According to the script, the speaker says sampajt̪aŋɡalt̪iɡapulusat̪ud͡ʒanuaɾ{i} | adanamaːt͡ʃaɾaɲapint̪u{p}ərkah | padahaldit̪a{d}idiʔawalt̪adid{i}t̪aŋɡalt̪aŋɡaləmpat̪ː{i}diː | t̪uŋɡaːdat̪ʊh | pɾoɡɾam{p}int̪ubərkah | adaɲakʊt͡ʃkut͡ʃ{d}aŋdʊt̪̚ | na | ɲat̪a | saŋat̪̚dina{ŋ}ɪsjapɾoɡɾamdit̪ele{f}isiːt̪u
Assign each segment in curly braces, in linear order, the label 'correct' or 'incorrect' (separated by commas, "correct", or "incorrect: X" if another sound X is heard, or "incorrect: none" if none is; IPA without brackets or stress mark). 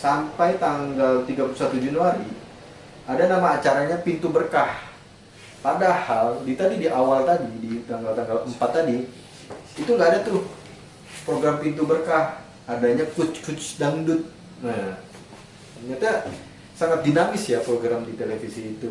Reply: correct, incorrect: b, correct, correct, incorrect: a, correct, correct, incorrect: m, correct